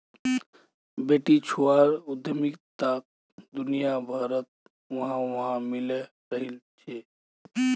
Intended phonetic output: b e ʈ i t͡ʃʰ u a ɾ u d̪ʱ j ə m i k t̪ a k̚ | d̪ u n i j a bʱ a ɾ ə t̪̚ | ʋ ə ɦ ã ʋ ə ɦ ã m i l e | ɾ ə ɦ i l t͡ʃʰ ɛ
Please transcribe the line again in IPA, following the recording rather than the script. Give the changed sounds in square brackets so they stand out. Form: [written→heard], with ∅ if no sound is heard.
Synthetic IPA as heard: b e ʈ i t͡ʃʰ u a ɾ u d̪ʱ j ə m i k t̪ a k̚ | d̪ u n i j a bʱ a ɾ ə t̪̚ | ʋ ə ɦ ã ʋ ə ɦ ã m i l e | ɾ ə ɦ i l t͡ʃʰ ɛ